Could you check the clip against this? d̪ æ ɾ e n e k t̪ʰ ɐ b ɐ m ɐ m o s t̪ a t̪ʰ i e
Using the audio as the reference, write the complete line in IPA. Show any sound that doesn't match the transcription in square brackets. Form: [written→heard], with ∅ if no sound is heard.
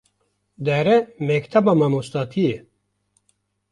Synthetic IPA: d̪ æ ɾ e [n→m] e k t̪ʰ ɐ b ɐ m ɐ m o s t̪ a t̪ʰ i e